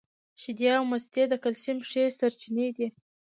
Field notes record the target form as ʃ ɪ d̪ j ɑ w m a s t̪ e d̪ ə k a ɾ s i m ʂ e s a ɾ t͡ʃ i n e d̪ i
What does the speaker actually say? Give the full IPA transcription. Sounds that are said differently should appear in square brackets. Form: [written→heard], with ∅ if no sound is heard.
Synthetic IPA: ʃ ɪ d̪ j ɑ w m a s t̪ e d̪ ə k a [ɾ→l] s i m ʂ e s a ɾ t͡ʃ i n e d̪ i